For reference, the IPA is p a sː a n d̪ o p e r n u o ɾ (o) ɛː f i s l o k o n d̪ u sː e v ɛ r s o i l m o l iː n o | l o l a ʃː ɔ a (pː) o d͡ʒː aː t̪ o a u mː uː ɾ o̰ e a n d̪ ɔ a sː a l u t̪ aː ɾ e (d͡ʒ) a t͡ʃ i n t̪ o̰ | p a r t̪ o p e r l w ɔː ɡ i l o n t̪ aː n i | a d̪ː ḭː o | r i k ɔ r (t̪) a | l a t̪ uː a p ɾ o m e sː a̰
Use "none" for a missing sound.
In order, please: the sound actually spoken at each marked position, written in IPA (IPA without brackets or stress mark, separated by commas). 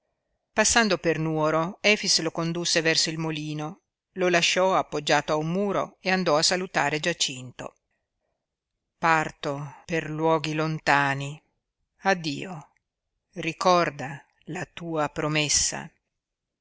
o, pː, d͡ʒ, d̪